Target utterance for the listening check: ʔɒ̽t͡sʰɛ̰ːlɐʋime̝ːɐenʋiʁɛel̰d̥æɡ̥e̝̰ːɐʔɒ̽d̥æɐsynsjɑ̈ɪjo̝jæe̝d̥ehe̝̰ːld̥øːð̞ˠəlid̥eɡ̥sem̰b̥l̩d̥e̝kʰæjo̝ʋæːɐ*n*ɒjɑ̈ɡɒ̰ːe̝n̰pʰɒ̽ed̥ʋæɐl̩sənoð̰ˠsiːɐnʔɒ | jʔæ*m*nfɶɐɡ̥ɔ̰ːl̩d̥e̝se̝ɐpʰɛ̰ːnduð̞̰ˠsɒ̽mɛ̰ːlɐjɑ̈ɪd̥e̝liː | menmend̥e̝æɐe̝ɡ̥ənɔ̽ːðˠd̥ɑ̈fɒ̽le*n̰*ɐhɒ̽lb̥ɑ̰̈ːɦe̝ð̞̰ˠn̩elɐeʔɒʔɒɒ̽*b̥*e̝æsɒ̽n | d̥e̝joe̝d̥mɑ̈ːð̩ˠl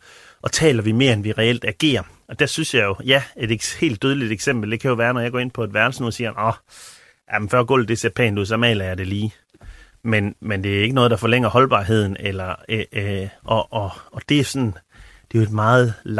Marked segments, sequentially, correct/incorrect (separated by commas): correct, correct, incorrect, incorrect